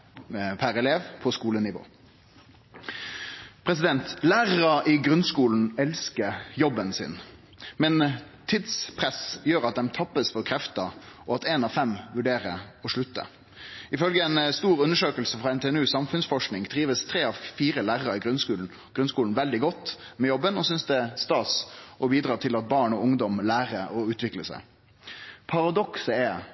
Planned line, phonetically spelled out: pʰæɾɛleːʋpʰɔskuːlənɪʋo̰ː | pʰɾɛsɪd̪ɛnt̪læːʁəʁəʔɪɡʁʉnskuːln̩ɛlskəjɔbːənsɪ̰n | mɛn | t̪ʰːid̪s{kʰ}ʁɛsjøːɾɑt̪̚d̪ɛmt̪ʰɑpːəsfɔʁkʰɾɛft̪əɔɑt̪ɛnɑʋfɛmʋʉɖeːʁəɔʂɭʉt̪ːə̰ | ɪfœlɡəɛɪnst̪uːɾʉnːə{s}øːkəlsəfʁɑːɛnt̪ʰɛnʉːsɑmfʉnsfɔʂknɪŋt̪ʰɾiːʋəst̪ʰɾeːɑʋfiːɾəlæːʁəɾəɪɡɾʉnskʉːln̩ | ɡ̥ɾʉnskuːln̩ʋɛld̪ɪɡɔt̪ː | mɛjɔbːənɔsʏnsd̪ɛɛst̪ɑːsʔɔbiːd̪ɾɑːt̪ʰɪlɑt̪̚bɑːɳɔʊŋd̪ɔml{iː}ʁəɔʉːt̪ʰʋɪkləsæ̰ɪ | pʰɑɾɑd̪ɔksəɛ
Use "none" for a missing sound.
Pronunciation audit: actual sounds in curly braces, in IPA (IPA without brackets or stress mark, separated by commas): pʰ, ʂ, æː